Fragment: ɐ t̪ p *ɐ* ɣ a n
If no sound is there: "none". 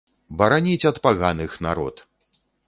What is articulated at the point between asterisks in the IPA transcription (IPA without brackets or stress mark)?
a